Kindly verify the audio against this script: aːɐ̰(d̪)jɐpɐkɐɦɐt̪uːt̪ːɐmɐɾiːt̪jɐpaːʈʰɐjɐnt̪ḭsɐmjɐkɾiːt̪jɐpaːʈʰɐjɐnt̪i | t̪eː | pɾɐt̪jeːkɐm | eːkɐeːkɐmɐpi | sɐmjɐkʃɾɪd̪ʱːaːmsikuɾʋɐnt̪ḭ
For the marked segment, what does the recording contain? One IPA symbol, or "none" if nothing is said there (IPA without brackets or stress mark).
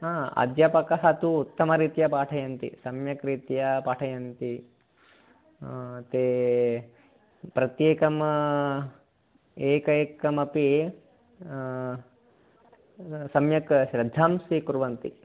d̪